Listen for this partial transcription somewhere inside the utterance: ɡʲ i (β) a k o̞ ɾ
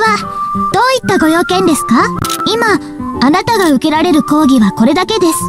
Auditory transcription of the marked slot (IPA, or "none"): β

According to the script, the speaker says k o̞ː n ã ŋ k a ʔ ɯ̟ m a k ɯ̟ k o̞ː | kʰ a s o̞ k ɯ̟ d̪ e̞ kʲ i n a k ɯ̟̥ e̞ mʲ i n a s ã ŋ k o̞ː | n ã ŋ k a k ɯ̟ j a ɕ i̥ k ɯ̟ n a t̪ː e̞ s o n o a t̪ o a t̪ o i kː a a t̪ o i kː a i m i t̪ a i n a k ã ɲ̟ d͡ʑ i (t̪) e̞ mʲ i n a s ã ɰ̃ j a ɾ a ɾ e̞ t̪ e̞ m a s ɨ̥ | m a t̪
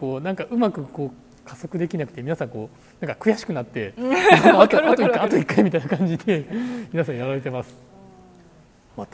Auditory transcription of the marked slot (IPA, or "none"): d̪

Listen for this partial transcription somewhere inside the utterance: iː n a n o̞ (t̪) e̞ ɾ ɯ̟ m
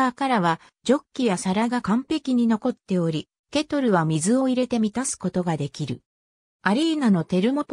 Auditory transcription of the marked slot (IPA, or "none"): t̪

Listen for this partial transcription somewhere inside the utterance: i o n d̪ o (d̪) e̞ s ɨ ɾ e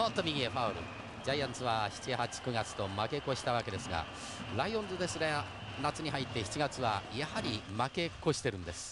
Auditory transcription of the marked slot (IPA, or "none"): d̪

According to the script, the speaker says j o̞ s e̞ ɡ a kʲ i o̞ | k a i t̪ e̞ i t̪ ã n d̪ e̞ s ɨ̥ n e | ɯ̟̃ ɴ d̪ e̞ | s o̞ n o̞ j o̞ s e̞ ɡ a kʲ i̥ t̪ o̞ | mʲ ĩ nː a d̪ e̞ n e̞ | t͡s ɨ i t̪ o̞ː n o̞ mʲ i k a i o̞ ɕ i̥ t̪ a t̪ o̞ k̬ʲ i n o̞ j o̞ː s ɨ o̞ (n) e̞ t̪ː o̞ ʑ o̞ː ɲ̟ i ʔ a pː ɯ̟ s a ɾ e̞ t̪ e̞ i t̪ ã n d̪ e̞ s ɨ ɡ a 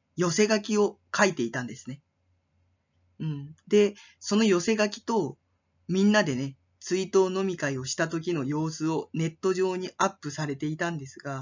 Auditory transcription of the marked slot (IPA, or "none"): n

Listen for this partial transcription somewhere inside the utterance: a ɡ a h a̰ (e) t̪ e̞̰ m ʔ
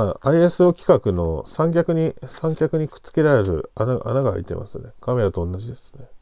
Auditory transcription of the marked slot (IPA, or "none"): i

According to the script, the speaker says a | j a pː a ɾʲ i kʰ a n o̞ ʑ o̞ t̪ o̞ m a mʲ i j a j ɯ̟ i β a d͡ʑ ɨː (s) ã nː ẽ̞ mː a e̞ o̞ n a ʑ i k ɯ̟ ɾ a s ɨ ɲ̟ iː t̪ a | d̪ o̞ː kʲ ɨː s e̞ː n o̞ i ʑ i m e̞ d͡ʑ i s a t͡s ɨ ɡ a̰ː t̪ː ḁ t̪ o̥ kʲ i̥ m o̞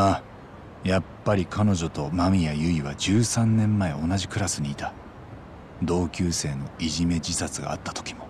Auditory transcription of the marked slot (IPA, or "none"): s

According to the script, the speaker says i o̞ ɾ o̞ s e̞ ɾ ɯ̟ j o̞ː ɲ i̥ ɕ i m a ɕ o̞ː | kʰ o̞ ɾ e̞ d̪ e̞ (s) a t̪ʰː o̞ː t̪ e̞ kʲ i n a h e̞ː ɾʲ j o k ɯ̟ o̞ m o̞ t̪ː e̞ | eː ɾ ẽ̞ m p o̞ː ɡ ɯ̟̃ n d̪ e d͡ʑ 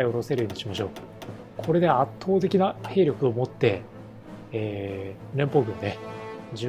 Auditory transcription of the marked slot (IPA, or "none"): none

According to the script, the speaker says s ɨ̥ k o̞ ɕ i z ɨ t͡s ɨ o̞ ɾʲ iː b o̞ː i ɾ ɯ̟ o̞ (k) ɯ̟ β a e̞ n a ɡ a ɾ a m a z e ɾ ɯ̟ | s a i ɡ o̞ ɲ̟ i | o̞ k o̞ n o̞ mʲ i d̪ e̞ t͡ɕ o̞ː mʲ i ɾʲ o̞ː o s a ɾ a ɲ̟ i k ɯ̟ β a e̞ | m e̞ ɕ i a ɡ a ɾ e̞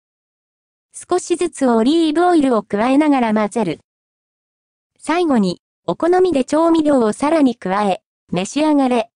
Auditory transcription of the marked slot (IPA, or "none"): k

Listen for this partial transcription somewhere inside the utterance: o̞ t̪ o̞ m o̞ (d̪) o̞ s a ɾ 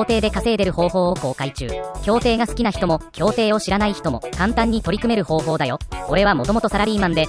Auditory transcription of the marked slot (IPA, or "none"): t̪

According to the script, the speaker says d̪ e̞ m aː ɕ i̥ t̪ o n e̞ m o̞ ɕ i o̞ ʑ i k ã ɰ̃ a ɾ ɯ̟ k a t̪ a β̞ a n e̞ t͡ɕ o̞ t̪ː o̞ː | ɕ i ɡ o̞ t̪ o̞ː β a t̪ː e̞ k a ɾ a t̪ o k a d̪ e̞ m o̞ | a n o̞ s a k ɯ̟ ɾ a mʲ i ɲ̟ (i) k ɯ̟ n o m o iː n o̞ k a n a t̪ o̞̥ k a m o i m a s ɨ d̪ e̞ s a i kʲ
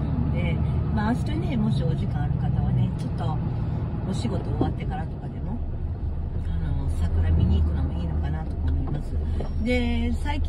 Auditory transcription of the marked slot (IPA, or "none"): iː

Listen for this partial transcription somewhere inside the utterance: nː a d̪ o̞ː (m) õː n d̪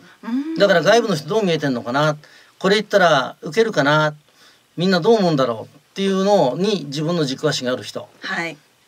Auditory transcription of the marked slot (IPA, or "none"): m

